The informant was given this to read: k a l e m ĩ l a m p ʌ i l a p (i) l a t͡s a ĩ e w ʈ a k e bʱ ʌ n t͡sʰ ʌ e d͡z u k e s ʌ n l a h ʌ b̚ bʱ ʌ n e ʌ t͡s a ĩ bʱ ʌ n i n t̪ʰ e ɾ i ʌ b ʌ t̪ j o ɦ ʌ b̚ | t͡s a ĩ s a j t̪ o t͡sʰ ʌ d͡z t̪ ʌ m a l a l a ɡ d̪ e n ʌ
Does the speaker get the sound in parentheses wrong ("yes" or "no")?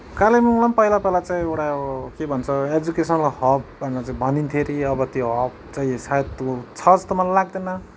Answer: yes